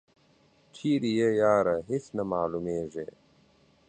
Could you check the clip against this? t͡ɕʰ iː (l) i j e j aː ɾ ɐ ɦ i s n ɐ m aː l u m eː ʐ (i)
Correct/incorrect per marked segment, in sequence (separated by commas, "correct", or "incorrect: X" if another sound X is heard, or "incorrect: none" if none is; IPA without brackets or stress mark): incorrect: ɾ, incorrect: e